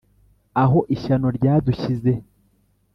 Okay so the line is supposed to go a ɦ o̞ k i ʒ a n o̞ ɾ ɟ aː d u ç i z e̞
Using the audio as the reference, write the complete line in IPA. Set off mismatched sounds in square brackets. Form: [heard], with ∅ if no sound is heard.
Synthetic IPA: a ɦ o̞ [ʔ] i [ʃ] a n o̞ ɾ ɟ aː d u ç i z e̞